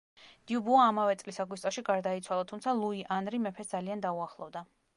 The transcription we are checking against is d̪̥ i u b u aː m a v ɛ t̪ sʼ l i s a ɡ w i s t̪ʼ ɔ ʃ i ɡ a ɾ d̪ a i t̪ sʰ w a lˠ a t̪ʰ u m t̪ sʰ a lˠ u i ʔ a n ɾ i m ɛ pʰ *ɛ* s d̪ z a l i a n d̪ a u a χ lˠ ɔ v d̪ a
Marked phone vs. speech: correct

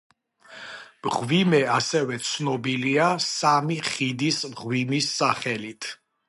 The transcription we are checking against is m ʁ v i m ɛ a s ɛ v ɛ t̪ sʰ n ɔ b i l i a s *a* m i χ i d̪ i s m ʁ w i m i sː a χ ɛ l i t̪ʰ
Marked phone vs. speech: correct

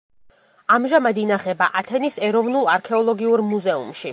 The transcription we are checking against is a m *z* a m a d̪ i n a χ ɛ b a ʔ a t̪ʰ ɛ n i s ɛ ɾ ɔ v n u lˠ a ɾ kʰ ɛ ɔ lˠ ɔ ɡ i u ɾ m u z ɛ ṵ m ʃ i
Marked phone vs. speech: incorrect: ʒ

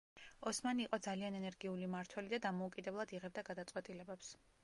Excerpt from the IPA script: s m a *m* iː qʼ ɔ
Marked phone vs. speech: incorrect: n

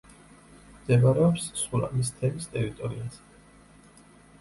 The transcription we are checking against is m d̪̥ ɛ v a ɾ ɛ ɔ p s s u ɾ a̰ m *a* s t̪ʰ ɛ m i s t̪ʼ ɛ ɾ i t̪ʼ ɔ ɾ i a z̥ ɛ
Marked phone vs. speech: incorrect: i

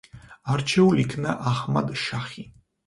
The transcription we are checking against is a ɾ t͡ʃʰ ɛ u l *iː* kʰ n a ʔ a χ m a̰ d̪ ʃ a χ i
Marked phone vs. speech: incorrect: i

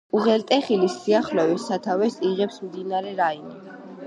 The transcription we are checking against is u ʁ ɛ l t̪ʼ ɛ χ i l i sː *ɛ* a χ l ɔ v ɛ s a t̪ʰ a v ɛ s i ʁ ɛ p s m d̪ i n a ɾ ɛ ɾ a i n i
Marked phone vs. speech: incorrect: i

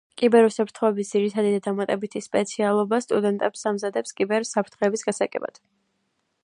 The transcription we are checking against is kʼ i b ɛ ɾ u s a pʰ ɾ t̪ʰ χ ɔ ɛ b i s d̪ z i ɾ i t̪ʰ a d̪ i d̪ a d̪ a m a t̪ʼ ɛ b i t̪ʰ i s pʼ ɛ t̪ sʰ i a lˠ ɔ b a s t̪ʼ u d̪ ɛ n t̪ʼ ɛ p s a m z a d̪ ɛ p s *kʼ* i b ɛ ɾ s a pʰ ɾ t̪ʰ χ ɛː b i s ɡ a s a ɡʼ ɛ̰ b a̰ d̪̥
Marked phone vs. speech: correct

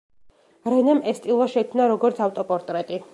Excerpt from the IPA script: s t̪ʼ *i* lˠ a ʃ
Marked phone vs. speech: correct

